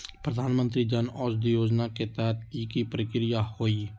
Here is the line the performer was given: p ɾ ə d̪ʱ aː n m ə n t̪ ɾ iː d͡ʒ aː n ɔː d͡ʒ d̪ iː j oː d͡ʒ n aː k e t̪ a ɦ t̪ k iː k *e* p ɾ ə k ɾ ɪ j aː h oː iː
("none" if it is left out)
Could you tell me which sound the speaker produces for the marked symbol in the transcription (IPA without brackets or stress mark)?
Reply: i